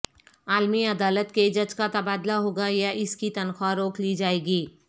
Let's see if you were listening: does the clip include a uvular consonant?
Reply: no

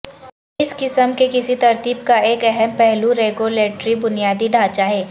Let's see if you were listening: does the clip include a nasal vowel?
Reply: no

